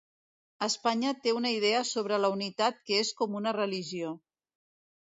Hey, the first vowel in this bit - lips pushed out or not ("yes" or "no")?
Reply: no